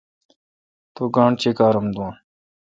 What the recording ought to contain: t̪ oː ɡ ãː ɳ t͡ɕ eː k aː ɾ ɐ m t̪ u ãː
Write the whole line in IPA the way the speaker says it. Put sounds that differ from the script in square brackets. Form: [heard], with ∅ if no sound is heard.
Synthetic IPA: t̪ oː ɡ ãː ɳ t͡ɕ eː k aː ɾ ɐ m [d̪] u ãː